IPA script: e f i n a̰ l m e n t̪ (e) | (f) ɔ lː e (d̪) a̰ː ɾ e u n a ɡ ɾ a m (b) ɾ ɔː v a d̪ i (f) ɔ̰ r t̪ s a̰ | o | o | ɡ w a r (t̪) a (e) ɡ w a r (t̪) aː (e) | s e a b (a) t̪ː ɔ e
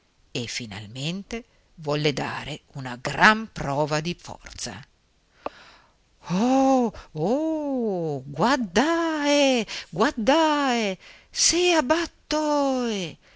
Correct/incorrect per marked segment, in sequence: correct, incorrect: v, correct, incorrect: p, correct, incorrect: d̪, correct, incorrect: d̪, correct, correct

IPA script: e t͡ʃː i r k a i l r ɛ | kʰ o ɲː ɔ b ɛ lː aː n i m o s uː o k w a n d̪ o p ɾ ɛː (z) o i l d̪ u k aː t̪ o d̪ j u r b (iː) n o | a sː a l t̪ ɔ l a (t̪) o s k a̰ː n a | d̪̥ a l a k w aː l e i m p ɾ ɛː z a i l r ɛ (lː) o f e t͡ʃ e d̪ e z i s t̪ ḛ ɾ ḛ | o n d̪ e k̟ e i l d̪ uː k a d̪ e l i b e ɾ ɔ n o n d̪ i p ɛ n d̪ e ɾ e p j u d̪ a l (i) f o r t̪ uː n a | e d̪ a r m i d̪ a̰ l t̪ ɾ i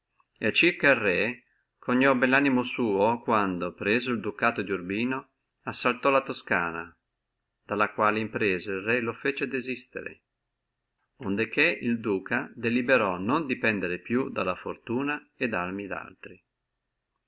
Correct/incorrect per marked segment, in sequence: correct, correct, correct, incorrect: l, incorrect: a

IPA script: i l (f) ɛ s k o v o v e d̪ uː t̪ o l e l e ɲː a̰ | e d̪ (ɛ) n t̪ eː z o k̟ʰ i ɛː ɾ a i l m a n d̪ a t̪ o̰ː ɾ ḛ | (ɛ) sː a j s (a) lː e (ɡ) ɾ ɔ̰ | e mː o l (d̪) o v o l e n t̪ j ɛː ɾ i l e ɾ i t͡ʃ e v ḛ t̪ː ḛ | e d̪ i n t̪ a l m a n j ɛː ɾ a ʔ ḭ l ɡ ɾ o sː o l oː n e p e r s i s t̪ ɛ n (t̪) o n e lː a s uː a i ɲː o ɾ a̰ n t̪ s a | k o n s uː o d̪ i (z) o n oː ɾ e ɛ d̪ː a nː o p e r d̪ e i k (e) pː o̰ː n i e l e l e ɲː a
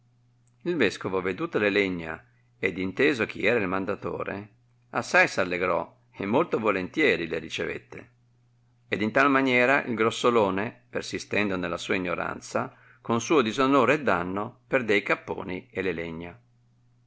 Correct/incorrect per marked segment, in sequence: incorrect: v, incorrect: i, incorrect: a, correct, correct, incorrect: t̪, incorrect: d̪, correct, incorrect: a

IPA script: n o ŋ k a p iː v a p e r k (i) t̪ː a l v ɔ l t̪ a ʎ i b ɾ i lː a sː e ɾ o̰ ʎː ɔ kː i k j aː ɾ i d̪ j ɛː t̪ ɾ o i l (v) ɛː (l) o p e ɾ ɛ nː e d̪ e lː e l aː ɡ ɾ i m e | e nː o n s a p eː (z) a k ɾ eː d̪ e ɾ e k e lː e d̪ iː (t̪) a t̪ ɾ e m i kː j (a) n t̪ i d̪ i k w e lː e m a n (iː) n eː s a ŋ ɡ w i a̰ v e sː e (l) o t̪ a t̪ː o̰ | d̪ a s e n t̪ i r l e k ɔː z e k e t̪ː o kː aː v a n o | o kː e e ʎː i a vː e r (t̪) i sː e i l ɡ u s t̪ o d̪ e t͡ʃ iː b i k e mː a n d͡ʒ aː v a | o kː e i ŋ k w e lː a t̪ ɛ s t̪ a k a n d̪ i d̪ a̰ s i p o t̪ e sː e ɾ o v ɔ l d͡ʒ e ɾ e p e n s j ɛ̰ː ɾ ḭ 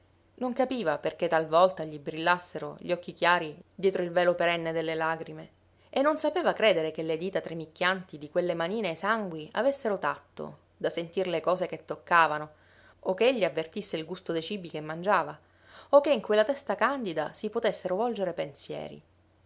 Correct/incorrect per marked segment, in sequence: incorrect: e, correct, correct, incorrect: v, correct, correct, correct, incorrect: ɾ, correct

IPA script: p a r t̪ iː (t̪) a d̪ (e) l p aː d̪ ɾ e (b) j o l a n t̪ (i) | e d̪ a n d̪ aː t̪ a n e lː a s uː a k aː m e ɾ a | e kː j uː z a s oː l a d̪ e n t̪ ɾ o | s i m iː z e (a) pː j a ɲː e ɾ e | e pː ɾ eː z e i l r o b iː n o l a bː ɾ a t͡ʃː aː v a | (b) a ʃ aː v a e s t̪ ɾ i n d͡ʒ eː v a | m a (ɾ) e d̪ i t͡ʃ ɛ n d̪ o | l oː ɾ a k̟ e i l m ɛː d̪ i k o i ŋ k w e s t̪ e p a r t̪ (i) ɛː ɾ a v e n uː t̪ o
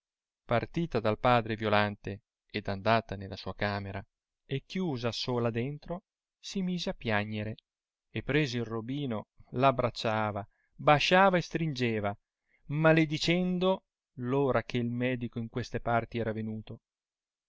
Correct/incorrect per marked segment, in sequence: correct, incorrect: a, incorrect: v, incorrect: e, correct, correct, incorrect: l, correct

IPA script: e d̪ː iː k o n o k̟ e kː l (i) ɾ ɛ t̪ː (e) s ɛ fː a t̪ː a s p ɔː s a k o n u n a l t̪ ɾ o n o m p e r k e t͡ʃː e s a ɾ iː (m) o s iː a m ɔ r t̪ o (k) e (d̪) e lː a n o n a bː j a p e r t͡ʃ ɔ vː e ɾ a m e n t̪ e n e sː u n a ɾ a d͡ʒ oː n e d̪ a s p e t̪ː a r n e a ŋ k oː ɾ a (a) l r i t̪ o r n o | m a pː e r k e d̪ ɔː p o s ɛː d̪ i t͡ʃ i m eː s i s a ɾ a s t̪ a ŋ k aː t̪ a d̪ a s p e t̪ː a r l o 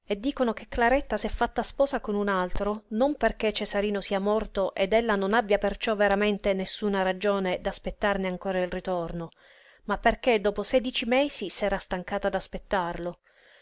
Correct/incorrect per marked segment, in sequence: incorrect: a, incorrect: a, incorrect: n, incorrect: ʔ, correct, incorrect: i

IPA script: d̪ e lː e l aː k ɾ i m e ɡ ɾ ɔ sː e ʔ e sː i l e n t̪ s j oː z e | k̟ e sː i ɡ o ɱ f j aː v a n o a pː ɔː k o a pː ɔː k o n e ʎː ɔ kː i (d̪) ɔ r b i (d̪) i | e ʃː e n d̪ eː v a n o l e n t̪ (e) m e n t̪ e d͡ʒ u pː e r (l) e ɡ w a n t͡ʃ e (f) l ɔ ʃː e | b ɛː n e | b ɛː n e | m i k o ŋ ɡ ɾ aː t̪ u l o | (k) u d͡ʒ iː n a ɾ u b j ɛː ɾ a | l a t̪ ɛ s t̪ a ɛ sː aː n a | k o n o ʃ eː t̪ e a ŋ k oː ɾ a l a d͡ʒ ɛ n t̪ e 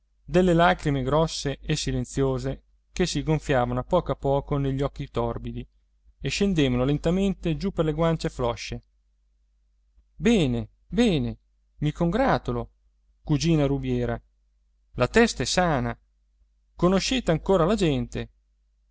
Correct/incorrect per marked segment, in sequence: incorrect: t̪, correct, incorrect: a, correct, correct, correct

